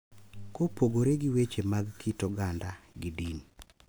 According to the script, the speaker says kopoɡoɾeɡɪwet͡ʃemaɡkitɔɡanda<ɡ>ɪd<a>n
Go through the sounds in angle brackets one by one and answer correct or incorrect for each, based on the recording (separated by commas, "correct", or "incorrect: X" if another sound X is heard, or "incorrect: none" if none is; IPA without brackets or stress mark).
correct, incorrect: i